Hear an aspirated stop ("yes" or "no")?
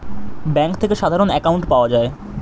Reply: yes